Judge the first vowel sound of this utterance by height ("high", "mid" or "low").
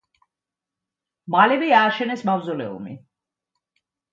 low